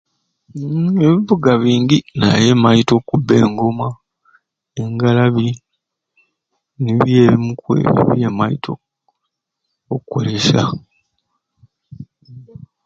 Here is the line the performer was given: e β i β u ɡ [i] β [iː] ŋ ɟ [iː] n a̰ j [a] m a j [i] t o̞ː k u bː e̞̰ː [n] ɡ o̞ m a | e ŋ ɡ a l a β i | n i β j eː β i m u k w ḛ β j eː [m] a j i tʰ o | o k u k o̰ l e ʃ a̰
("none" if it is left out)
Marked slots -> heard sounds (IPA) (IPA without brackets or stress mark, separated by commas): a, iː, i, e, i, ŋ, m